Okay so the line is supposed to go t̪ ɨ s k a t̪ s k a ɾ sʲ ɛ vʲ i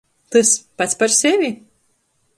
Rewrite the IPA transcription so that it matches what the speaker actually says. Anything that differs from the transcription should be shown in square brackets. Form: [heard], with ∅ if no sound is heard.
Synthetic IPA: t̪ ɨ s [p] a t̪ s [p] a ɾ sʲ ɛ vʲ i